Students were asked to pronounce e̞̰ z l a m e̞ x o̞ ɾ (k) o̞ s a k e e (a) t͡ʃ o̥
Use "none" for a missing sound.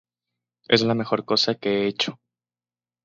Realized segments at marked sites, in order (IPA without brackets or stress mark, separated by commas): k, e